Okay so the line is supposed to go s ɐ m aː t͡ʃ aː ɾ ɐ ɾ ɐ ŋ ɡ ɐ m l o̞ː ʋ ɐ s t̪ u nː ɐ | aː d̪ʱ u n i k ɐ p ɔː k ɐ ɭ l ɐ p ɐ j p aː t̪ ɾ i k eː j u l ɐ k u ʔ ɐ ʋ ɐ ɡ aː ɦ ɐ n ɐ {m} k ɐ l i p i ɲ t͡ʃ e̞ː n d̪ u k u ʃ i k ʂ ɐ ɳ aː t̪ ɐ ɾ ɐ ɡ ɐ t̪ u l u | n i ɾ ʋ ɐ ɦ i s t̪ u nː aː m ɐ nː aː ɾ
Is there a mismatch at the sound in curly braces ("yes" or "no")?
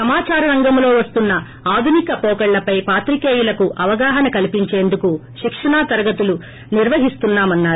yes